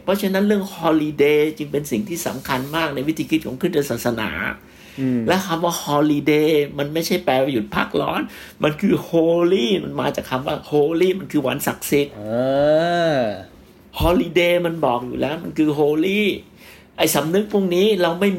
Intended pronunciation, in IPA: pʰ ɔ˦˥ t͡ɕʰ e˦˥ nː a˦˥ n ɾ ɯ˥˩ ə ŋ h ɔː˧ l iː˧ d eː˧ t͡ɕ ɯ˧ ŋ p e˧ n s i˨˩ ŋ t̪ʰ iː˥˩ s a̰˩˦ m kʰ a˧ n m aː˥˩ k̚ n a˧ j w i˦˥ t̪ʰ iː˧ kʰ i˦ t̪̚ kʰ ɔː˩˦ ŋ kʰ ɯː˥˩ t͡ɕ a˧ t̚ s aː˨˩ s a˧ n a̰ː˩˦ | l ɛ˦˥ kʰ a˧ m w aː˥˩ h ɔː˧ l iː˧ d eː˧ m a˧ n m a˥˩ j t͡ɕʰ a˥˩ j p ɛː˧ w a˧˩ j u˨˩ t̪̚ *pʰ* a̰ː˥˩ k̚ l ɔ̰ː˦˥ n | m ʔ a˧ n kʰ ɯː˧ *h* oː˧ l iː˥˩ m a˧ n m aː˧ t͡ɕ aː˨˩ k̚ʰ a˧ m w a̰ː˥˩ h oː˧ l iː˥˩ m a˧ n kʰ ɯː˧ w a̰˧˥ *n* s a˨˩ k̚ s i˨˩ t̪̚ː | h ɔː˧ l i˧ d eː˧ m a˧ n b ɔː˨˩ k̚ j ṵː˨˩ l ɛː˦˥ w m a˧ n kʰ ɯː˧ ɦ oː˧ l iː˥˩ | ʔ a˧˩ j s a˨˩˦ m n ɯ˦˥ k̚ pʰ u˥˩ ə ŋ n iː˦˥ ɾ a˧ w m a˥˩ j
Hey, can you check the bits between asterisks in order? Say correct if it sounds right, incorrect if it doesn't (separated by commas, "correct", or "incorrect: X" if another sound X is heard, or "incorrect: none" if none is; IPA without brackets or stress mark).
correct, correct, correct